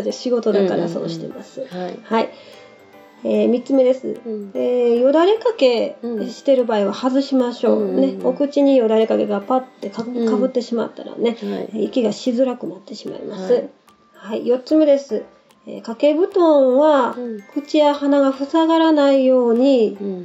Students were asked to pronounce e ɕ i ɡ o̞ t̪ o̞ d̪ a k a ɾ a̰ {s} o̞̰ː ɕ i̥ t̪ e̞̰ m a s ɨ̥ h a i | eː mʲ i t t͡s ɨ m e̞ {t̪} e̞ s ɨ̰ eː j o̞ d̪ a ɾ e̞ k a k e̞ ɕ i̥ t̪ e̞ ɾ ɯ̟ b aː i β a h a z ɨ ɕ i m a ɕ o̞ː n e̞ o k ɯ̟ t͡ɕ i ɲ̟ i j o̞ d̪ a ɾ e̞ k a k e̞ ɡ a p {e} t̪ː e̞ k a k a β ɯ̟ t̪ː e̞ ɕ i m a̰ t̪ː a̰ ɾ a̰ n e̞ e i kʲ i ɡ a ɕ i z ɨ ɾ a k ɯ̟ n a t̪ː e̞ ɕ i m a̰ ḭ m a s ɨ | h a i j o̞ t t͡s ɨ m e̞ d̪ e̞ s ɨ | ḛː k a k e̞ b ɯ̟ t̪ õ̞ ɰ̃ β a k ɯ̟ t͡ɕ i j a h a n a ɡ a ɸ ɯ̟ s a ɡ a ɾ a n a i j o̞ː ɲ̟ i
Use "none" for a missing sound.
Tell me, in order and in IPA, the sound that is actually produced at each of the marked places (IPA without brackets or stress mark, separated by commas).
s, d̪, a